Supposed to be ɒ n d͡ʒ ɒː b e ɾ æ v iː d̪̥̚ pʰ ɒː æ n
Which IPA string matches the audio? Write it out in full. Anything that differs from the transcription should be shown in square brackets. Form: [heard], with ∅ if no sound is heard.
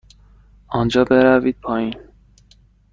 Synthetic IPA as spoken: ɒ n d͡ʒ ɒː b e ɾ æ v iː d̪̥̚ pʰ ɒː [i] n